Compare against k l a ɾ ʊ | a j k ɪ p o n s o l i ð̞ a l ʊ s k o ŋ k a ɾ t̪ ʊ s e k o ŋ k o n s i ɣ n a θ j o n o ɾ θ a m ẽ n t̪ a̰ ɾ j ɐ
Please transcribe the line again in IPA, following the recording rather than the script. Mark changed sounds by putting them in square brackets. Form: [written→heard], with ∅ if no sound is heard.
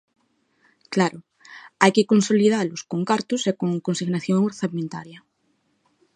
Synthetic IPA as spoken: k l a ɾ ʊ | a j k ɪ [p→k] o n s o l i ð̞ a l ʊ s k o ŋ k a ɾ t̪ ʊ s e k o ŋ k o n s i ɣ n a θ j o [n→ŋ] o ɾ θ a m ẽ n t̪ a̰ ɾ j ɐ

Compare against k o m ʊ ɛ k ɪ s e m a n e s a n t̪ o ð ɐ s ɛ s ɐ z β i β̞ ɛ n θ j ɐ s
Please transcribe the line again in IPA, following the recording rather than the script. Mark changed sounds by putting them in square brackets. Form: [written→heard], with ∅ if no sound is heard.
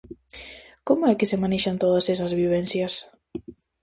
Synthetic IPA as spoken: k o m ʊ ɛ k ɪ s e m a n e [s→ʃ] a n t̪ o ð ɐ s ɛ s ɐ z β i β̞ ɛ n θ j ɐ s

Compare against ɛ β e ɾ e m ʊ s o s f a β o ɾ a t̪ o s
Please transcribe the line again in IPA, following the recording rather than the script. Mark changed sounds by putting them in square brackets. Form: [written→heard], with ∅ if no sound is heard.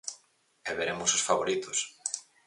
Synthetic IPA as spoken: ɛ β e ɾ e m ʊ s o s f a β o ɾ [a→i] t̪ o s

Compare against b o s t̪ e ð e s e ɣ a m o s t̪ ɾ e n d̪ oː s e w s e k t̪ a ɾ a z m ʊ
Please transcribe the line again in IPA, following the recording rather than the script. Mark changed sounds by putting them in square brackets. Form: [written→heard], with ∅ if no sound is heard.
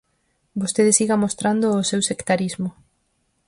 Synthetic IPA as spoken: b o s t̪ e ð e s [e→i] ɣ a m o s t̪ ɾ [e→a] n d̪ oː s e w s e k t̪ a ɾ [a→i] z m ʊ

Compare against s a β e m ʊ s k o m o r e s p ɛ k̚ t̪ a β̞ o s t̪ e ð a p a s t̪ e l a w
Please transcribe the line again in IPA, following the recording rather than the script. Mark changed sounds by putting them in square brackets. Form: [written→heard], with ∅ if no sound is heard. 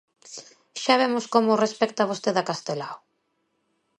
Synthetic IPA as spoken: [s→ʃ] a β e m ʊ s k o m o r e s p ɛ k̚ t̪ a β̞ o s t̪ e ð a [p→k] a s t̪ e l a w

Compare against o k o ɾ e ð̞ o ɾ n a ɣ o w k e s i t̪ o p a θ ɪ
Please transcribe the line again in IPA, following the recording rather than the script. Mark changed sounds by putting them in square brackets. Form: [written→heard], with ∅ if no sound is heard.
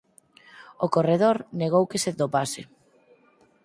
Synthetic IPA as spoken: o k o [ɾ→r] e ð̞ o ɾ n [a→e] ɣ o w k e s [i→e] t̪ o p a [θ→s] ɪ

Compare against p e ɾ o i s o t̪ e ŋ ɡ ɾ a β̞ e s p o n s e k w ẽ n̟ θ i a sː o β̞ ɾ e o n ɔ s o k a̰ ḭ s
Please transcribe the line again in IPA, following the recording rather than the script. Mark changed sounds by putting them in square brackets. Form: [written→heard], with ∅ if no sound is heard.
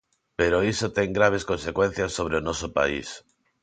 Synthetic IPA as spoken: p e ɾ o i s o t̪ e ŋ ɡ ɾ a β̞ e s [p→k] o n s e k w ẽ n̟ θ [i→j] a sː o β̞ ɾ e o n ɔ s o [k→p] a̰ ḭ s

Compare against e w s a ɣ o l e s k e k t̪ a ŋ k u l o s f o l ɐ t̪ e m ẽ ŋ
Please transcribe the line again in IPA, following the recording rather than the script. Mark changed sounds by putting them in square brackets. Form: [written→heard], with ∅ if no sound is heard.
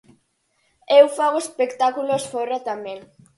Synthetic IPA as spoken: e w [s→f] a ɣ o [l→∅] e s [k→p] e k t̪ a [ŋ→∅] k u l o s f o [l→ɾ] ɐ t̪ [e→a] m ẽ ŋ

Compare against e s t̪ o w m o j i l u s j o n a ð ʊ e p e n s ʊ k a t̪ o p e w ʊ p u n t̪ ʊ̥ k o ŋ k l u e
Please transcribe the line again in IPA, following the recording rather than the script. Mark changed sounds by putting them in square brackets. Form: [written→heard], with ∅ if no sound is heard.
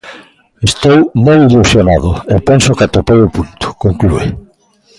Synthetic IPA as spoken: e s t̪ o w m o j i l u s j o n a ð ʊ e p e n s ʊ k a t̪ o p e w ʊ p u n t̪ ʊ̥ k o ŋ k l u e

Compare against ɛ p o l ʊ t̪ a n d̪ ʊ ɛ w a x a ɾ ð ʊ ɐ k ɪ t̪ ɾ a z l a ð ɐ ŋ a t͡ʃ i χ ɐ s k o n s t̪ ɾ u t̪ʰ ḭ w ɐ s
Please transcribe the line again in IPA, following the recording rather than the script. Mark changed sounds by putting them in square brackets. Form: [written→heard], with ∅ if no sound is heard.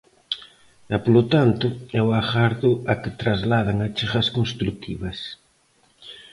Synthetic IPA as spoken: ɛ p o l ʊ t̪ a n [d̪→t̪] ʊ ɛ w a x a ɾ ð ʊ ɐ k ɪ t̪ ɾ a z l a ð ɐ ŋ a t͡ʃ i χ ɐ s k o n s t̪ ɾ u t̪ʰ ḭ [w→β] ɐ s

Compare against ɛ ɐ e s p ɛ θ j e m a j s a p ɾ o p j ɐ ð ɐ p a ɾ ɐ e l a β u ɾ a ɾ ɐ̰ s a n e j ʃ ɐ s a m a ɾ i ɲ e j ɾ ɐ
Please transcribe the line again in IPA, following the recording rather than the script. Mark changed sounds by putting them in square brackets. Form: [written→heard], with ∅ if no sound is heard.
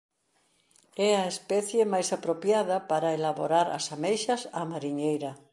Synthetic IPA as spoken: ɛ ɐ e s p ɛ θ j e m a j s a p ɾ o p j [ɐ→a] ð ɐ p a ɾ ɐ e l a β [u→o] ɾ a ɾ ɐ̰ s a [n→m] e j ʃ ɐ s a m a ɾ i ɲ e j ɾ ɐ

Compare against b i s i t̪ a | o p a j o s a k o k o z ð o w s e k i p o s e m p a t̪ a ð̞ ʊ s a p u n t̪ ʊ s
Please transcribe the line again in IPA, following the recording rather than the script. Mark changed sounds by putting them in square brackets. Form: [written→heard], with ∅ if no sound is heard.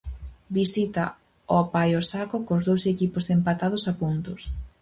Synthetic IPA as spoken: b i s i t̪ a | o p a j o s a k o k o z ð o w s e k i p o s e m p a t̪ a ð̞ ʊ s a p u n t̪ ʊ s

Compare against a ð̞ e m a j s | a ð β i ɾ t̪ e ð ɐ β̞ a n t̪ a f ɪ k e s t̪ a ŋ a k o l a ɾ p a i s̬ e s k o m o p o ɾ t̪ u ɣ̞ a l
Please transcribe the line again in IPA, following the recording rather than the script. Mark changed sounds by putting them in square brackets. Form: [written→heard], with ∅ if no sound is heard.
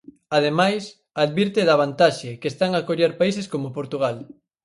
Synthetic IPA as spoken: a ð̞ e m a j s | a ð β i ɾ t̪ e ð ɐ β̞ a n t̪ a [f→ʃ] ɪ k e s t̪ a ŋ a k o [l→ʎ] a ɾ p a i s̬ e s k o m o p o ɾ t̪ u ɣ̞ a l

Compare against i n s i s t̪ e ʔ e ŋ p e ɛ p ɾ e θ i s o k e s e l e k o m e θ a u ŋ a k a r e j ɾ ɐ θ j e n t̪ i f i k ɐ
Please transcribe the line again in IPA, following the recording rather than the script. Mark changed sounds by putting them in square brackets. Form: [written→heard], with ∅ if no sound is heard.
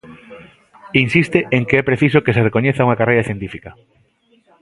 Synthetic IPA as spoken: i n s i s t̪ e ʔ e ŋ [p→k] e ɛ p ɾ e θ i s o k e s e [l→r] e k o [m→ɲ] e θ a u ŋ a k a r e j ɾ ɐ θ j e n t̪ i f i k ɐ

